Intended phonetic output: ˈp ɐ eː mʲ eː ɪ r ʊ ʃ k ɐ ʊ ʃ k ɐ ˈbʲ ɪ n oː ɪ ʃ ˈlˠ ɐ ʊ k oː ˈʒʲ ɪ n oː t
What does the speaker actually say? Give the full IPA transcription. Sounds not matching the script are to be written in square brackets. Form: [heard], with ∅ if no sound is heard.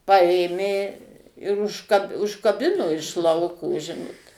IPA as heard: ˈp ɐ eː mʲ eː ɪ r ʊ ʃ k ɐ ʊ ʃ k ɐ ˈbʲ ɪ n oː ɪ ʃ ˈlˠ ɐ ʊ k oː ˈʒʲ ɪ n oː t